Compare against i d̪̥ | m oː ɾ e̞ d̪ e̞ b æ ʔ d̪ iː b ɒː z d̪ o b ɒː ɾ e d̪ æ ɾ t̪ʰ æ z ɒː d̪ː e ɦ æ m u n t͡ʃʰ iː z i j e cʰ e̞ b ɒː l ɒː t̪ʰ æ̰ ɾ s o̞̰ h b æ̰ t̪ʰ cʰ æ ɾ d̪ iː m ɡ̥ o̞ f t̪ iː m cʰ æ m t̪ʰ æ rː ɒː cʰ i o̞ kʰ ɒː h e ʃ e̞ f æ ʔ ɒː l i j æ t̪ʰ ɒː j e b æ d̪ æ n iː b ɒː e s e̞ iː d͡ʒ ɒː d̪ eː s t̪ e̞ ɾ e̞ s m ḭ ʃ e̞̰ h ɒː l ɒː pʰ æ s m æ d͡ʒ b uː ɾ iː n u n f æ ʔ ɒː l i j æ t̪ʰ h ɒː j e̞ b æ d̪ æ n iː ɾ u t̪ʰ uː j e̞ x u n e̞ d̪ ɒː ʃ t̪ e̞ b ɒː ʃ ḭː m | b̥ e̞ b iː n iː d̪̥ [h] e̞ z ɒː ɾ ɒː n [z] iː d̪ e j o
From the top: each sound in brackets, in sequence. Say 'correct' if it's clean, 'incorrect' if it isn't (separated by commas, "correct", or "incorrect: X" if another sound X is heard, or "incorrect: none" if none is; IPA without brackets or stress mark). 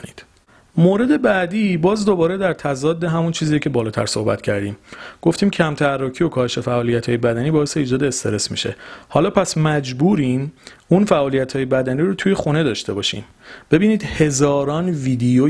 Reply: correct, incorrect: v